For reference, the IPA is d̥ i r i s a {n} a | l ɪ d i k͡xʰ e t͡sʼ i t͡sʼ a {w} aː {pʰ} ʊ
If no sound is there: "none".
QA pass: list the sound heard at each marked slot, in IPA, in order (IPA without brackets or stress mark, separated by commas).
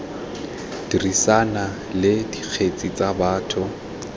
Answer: n, b, tʰ